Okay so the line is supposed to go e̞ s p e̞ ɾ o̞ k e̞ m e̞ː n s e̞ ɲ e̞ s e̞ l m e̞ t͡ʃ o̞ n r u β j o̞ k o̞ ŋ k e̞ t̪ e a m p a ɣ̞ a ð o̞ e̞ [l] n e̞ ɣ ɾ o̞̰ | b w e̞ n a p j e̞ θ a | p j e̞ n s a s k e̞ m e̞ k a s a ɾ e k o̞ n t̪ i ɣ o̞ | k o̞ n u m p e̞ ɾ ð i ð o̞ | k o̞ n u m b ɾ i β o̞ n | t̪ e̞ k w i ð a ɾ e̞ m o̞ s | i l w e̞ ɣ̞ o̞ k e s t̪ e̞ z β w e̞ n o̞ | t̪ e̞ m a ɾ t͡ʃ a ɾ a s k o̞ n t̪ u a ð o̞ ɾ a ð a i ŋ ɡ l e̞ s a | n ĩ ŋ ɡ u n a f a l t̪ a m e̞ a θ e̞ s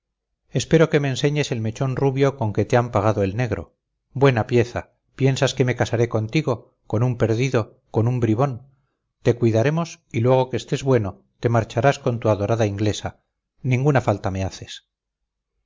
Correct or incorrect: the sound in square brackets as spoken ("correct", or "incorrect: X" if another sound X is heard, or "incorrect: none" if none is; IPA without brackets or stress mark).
correct